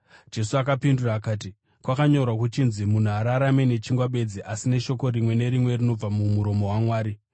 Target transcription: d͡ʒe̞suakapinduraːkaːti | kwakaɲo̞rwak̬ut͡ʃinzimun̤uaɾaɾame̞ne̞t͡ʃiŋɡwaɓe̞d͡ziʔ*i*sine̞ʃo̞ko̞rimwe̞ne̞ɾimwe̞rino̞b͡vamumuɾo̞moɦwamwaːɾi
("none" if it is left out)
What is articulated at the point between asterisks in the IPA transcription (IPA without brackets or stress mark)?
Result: a